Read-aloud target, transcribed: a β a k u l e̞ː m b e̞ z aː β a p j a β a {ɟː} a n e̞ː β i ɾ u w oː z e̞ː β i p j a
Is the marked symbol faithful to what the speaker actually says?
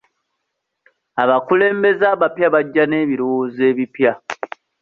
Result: yes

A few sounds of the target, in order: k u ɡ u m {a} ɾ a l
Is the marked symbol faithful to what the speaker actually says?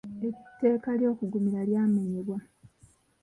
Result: no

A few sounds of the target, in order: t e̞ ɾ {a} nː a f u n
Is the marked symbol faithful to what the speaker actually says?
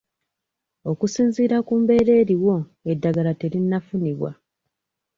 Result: no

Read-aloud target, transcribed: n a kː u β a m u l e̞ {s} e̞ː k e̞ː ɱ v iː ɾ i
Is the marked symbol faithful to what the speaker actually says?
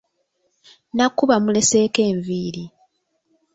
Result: yes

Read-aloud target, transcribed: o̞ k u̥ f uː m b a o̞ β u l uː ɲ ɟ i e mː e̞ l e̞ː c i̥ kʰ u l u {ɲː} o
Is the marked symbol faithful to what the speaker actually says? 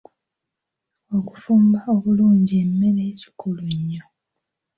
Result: yes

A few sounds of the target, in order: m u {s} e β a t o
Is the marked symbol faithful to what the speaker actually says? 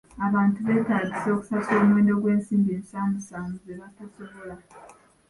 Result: no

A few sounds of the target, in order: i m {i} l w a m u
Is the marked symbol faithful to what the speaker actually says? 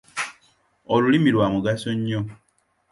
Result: yes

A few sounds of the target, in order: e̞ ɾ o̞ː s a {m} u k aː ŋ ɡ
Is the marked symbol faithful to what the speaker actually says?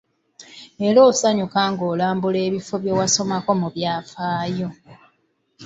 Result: no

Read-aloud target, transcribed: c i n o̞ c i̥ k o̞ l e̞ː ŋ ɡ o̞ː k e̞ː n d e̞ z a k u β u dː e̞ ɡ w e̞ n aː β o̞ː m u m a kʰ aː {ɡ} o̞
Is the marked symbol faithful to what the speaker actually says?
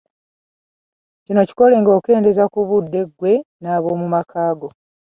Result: yes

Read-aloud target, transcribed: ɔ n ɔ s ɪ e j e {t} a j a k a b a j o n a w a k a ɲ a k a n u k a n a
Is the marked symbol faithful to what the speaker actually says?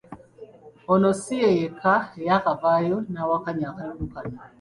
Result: no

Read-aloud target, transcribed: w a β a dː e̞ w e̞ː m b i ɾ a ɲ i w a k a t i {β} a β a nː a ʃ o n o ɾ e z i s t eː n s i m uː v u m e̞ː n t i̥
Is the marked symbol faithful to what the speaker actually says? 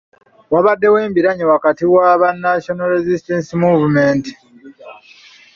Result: no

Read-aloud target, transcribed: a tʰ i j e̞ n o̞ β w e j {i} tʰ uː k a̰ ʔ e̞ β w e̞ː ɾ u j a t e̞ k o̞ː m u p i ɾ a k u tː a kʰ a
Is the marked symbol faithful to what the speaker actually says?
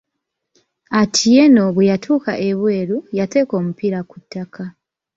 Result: no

